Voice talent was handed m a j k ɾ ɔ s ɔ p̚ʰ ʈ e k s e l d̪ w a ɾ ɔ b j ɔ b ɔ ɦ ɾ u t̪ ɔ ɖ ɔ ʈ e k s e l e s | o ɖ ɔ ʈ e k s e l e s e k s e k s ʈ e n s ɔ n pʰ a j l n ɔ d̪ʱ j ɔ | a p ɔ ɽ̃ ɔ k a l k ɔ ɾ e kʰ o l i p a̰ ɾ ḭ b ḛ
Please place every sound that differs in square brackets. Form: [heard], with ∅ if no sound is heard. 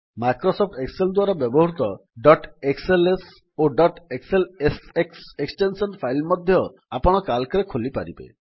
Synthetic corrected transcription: m a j k ɾ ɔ s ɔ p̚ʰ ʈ e k s e l d̪ w a ɾ ɔ b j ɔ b ɔ ɦ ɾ u t̪ ɔ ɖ ɔ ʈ e k s e l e s | o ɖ ɔ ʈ e k s e l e s e k s e k s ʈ e n s ɔ n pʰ a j l [m] ɔ d̪ʱ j ɔ | a p ɔ ɽ̃ ɔ k a l k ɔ ɾ e kʰ o l i p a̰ ɾ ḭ b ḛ